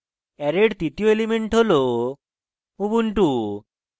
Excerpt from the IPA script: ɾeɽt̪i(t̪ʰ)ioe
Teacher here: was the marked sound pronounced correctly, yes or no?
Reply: no